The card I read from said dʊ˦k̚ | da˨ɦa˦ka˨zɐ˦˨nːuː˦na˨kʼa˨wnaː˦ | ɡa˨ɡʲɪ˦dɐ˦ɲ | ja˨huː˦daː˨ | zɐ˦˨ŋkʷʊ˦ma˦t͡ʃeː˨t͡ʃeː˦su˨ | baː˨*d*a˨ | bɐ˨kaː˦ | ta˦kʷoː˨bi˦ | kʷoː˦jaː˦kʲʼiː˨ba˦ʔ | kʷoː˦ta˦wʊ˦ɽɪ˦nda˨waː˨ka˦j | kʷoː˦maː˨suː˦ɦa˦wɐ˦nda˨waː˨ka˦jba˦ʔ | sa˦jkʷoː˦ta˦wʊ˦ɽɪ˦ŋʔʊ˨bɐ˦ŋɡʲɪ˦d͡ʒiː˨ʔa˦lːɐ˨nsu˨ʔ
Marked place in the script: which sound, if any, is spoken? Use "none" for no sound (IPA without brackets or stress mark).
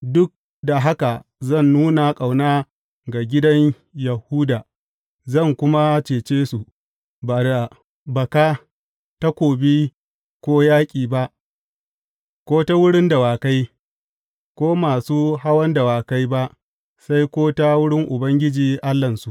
d